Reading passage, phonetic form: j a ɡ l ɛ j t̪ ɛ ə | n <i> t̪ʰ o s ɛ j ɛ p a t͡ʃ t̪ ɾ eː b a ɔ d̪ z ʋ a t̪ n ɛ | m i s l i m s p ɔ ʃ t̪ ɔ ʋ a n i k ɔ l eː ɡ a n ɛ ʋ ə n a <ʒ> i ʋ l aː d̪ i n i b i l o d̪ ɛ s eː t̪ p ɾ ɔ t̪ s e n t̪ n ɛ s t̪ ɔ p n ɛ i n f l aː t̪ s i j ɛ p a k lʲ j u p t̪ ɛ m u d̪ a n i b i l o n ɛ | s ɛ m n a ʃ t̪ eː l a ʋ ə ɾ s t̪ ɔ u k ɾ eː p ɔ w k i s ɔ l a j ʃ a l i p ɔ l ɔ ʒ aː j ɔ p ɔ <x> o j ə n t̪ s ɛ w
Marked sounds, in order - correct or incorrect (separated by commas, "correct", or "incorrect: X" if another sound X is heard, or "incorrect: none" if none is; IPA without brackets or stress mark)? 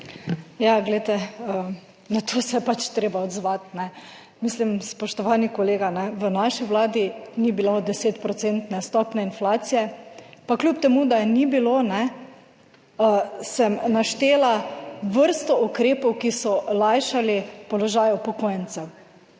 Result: incorrect: a, incorrect: ʃ, incorrect: k